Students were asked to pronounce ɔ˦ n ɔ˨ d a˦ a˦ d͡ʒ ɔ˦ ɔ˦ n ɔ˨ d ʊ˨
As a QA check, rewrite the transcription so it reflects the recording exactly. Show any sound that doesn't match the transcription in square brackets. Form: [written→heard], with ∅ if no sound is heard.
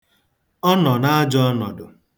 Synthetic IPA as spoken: ɔ˦ n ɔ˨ [d→n] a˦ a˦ d͡ʒ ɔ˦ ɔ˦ n ɔ˨ d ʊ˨